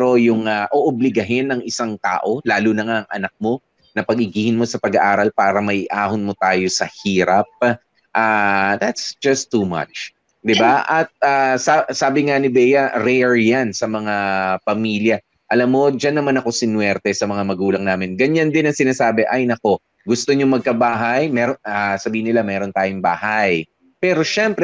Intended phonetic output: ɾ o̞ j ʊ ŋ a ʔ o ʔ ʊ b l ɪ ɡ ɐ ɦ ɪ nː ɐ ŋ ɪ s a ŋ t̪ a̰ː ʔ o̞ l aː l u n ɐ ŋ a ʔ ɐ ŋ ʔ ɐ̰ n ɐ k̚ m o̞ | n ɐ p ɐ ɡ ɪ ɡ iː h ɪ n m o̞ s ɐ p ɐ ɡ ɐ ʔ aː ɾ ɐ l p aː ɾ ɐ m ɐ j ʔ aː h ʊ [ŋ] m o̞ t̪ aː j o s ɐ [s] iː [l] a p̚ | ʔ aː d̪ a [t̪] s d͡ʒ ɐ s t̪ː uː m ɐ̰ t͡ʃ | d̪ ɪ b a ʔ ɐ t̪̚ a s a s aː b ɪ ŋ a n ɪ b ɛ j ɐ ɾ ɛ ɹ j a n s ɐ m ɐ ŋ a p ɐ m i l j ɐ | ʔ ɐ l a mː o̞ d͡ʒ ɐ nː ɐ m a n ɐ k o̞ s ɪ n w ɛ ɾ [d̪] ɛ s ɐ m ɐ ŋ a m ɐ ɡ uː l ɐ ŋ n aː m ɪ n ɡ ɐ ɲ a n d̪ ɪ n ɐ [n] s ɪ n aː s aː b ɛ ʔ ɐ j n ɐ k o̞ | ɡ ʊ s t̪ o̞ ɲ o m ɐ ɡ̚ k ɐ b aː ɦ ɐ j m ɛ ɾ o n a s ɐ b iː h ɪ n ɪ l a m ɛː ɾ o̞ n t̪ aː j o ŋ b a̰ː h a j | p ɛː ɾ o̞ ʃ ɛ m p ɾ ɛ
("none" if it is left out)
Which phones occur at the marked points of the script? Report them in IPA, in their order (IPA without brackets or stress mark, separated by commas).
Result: n, h, ɾ, t̪, t̪, ŋ